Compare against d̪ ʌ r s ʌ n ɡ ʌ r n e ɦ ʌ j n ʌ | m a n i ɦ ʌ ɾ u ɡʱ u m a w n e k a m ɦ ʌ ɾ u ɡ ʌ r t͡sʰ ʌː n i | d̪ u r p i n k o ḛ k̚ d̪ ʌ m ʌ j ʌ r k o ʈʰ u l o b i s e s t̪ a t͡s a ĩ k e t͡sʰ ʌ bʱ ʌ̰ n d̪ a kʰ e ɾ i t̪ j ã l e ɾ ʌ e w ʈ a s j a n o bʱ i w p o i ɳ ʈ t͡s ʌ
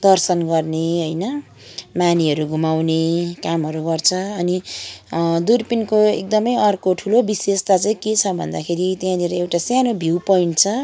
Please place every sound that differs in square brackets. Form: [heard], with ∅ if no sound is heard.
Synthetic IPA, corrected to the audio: d̪ ʌ r s ʌ n ɡ ʌ r n e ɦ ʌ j n ʌ | m a n i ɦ ʌ ɾ u ɡʱ u m a w n e k a m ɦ ʌ ɾ u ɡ ʌ r t͡sʰ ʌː n i | d̪ u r p i n k o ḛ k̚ d̪ ʌ m ʌ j ʌ r k o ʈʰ u l o b i s e s t̪ a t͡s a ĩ k e t͡sʰ ʌ bʱ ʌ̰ n d̪ a kʰ e ɾ i t̪ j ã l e ɾ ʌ e w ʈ a s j a n o bʱ i w p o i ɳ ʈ [t͡sʰ] ʌ